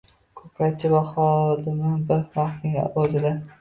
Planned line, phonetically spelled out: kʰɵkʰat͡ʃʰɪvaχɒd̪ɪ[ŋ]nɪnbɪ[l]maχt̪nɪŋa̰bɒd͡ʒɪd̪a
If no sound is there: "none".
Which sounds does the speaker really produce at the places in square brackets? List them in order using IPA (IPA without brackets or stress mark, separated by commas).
m, ɾ